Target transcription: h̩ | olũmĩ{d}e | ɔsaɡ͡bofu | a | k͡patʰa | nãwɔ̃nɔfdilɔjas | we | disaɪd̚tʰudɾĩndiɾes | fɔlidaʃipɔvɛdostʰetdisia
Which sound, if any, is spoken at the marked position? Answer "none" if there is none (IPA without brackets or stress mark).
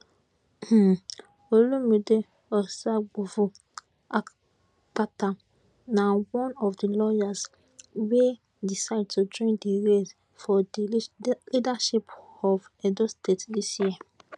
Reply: d